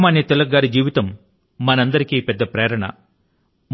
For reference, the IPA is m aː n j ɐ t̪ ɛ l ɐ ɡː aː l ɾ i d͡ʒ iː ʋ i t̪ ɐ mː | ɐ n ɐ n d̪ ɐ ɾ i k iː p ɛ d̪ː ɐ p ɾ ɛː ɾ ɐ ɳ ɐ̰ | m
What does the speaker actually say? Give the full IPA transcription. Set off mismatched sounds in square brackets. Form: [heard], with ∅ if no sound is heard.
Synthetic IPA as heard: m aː n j ɐ t̪ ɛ l ɐ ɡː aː [∅] ɾ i d͡ʒ iː ʋ i t̪ ɐ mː | ɐ n ɐ n d̪ ɐ ɾ i k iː p ɛ d̪ː ɐ p ɾ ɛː ɾ ɐ ɳ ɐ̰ | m